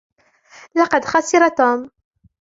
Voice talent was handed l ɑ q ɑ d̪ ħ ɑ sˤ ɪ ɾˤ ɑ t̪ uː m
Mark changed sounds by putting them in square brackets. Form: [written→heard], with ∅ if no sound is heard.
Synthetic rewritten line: l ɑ q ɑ d̪ [ħ→x] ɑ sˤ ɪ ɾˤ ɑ t̪ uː m